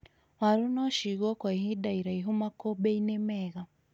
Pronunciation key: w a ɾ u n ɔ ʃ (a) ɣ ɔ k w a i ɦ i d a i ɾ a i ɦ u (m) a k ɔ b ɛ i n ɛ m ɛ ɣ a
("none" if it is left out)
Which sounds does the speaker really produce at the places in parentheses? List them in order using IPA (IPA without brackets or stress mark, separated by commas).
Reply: i, m